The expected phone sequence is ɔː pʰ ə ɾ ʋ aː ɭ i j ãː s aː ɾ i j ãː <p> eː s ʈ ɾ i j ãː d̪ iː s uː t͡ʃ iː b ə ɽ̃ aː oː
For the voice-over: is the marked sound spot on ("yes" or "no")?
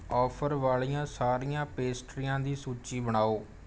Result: yes